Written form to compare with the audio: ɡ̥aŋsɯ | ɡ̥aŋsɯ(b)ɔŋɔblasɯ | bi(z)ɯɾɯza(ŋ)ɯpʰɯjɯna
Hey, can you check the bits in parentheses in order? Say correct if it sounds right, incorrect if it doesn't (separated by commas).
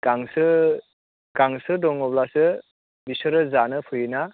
incorrect, incorrect, incorrect